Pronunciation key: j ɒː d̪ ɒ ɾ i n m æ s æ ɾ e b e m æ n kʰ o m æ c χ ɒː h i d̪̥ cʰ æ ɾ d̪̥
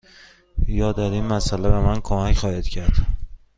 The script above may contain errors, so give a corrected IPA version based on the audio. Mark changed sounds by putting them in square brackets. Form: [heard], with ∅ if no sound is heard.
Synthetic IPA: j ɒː d̪ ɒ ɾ i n m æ s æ [l] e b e m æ n kʰ o m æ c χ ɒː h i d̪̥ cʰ æ ɾ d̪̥

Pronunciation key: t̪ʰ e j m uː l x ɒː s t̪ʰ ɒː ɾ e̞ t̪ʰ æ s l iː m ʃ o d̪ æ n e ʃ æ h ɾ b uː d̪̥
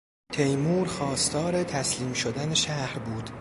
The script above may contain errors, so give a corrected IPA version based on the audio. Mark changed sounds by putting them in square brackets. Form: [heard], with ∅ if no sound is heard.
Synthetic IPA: t̪ʰ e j m uː [ɾ] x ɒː s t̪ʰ ɒː ɾ e̞ t̪ʰ æ s l iː m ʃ o d̪ æ n e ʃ æ h ɾ b uː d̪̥

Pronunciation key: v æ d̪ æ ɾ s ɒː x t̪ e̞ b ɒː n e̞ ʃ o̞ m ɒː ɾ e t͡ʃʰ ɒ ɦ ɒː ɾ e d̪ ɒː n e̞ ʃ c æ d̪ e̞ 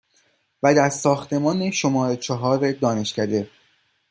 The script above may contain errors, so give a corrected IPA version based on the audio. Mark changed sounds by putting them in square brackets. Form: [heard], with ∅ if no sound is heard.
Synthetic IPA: v æ d̪ æ ɾ s ɒː x t̪ e̞ [m] ɒː n e̞ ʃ o̞ m ɒː ɾ e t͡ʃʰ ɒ ɦ ɒː ɾ e d̪ ɒː n e̞ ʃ c æ d̪ e̞

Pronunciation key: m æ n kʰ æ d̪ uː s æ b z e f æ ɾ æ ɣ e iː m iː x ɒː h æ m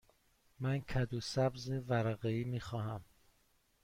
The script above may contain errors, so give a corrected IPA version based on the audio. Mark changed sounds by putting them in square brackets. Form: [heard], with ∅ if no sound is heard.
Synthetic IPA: m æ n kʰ æ d̪ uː s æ b z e [v] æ ɾ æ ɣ e iː m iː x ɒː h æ m

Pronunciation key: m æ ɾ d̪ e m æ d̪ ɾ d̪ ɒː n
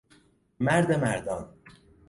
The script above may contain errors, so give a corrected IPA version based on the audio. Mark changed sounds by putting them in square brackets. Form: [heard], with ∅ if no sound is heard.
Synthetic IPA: m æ ɾ d̪ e m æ [∅] ɾ d̪ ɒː n

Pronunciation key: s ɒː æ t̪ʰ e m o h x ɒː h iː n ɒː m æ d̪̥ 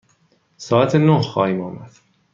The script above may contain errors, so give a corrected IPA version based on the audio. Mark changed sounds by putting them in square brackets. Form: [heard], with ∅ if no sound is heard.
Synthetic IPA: s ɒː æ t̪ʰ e [n] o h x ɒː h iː [m] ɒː m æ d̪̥

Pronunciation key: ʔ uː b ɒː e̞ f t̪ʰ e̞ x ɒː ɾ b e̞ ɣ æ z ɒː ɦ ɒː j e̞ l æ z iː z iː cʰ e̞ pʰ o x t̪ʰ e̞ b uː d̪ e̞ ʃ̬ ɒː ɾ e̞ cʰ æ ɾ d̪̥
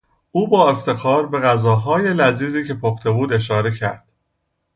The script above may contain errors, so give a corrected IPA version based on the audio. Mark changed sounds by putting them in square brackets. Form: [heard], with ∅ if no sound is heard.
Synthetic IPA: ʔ uː b ɒː e̞ f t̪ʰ e̞ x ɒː ɾ b e̞ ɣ æ z ɒː ɦ ɒː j e̞ l æ z iː z iː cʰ e̞ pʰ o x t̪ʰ e̞ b uː d̪ e̞ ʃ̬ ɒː ɾ e̞ cʰ æ ɾ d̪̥

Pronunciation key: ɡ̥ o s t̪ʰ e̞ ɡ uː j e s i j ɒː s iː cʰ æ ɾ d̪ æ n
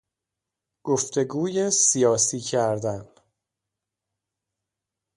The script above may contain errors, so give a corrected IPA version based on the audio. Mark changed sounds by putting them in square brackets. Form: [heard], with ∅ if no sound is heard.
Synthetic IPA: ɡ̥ o [f] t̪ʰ e̞ ɡ uː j e s i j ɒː s iː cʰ æ ɾ d̪ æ n

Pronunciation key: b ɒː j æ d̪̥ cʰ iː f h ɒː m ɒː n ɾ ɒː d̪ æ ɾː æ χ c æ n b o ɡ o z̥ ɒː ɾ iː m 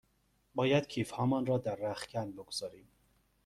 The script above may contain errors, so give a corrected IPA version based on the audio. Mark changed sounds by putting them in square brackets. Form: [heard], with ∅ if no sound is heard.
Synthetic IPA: b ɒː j æ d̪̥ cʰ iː f h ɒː m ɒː n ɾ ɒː d̪ æ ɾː æ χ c æ n b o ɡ o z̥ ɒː ɾ iː m

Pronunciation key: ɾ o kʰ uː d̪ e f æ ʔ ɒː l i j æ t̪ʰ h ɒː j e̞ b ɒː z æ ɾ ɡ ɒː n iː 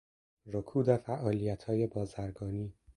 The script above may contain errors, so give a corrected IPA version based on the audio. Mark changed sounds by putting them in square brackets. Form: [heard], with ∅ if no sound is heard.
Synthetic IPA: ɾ o kʰ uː d̪ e f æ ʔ ɒː l i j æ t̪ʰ h ɒː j e̞ b ɒː z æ ɾ ɡ ɒː n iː

